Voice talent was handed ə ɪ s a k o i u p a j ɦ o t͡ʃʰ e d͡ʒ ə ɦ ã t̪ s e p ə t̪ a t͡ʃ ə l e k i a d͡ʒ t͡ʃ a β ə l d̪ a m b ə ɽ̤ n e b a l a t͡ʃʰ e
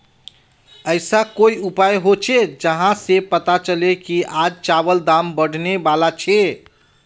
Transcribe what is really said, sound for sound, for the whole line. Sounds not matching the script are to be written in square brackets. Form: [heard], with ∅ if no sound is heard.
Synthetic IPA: ə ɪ s a k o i u p a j ɦ o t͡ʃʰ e d͡ʒ ə ɦ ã [∅] s e p ə t̪ a t͡ʃ ə l e k i a d͡ʒ t͡ʃ a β ə l d̪ a m b ə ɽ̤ n e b a l a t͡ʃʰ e

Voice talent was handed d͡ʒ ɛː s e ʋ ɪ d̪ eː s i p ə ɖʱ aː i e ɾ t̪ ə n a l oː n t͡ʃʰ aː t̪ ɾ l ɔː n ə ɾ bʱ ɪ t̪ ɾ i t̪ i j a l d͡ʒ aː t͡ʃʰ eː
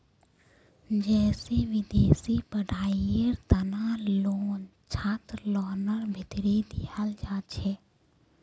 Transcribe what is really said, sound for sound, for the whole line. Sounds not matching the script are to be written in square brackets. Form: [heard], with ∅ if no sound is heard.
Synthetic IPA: d͡ʒ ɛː s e ʋ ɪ d̪ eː s i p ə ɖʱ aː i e ɾ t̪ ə n a l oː n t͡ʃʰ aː t̪ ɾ l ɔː n ə ɾ bʱ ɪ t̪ ɾ i [d̪] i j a l d͡ʒ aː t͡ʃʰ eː

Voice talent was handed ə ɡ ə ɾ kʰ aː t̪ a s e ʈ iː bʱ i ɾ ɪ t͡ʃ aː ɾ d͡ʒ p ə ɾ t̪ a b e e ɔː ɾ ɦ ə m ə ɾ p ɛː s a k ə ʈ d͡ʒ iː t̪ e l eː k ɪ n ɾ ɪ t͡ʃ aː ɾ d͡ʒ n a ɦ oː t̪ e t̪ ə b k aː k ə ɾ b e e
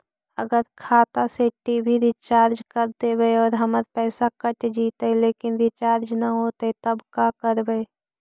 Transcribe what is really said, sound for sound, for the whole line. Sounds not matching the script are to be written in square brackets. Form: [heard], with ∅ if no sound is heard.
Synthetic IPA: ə ɡ ə ɾ kʰ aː t̪ a s e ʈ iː bʱ i ɾ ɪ t͡ʃ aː ɾ d͡ʒ [k] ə ɾ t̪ [e] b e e ɔː ɾ ɦ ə m ə ɾ p ɛː s a k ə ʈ d͡ʒ iː t̪ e l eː k ɪ n ɾ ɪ t͡ʃ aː ɾ d͡ʒ n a ɦ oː t̪ e t̪ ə b k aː k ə ɾ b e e

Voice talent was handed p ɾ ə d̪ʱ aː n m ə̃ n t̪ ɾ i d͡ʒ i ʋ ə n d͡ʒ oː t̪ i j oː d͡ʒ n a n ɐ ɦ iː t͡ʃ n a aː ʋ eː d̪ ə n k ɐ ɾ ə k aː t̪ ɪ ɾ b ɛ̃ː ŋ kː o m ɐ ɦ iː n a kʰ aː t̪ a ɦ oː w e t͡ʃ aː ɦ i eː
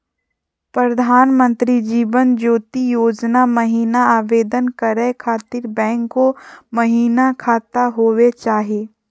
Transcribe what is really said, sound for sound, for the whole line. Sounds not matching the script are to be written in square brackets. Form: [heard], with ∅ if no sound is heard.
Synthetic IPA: p ɾ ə d̪ʱ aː n m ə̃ n t̪ ɾ i d͡ʒ [iː] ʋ ə n d͡ʒ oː t̪ i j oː d͡ʒ n a [m] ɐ ɦ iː [∅] n a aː ʋ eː d̪ ə n k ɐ ɾ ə [kʰ] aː t̪ ɪ ɾ b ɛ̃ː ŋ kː o m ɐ ɦ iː n a kʰ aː t̪ a ɦ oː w e t͡ʃ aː ɦ i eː

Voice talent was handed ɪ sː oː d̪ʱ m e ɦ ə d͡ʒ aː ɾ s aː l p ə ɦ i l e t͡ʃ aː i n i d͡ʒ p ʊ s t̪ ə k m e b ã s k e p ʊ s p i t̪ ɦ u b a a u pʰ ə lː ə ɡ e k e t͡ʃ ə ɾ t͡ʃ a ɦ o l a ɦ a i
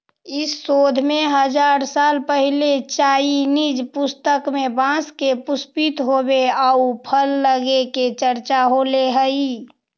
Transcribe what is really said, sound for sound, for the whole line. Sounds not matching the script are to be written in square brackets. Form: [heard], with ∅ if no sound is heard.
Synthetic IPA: ɪ sː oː d̪ʱ m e ɦ ə d͡ʒ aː ɾ s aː l p ə ɦ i l e t͡ʃ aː i n i d͡ʒ p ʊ s t̪ ə k m e b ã s k e p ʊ s p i t̪ ɦ [o] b [e] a u pʰ ə lː ə ɡ e k e t͡ʃ ə ɾ t͡ʃ a ɦ o l [e] ɦ [ə] i

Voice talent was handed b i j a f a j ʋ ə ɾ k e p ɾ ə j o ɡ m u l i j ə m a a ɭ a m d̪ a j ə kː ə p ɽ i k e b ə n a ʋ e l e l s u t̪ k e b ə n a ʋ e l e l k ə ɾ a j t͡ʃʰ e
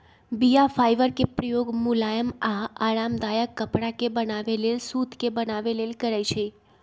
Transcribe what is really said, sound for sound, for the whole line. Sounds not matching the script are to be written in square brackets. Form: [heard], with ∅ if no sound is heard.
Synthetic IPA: b i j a f a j ʋ ə ɾ k e p ɾ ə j o ɡ m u l [a] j ə m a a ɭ a m d̪ a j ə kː ə p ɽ [a] k e b ə n a ʋ e l e l s u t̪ k e b ə n a ʋ e l e l k ə ɾ a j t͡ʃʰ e

